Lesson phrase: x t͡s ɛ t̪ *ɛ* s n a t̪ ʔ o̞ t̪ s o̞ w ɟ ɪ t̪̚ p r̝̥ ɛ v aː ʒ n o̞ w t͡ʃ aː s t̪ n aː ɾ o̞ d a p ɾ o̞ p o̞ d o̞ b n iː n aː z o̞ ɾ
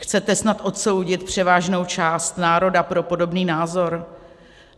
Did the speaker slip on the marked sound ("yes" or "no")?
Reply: no